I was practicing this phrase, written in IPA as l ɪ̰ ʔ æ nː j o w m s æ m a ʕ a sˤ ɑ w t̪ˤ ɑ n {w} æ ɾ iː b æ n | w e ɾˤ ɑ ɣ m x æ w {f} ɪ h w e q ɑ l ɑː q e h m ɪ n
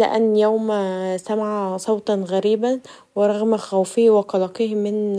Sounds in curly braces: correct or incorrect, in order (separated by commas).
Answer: incorrect, correct